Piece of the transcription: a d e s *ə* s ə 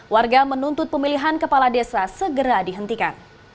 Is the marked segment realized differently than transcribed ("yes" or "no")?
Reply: yes